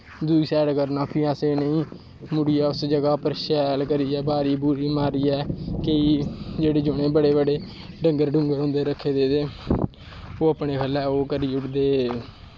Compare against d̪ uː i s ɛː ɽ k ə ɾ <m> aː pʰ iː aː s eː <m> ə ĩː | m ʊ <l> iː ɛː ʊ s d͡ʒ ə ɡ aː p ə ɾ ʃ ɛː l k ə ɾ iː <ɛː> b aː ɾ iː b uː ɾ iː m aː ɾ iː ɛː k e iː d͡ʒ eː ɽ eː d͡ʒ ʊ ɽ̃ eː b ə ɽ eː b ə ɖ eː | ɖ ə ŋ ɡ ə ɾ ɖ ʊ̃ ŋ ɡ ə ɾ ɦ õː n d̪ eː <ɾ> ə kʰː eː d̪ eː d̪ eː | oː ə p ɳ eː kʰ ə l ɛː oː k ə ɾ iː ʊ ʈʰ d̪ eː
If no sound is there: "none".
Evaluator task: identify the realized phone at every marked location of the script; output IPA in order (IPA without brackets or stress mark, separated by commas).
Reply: n, n, ɽ, ɛː, ɾ